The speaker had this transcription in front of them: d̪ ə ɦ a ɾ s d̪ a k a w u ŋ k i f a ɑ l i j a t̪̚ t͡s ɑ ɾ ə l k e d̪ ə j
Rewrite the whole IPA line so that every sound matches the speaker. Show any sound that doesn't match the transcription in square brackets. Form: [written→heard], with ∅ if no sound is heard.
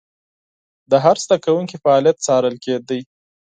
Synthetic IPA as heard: d̪ ə ɦ a ɾ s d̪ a k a w u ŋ k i f a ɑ l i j a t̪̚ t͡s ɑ ɾ ə l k e d̪ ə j